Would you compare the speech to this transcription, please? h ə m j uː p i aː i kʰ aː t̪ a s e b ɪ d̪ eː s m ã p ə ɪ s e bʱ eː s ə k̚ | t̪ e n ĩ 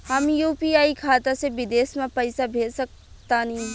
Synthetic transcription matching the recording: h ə m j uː p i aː i kʰ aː t̪ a s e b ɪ d̪ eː s m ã p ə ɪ s a bʱ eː s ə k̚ | t̪ a n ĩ